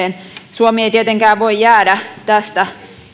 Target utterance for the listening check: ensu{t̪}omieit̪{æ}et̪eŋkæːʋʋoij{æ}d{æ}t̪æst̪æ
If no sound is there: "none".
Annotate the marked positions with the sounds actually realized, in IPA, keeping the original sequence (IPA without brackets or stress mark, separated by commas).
none, i, æː, æ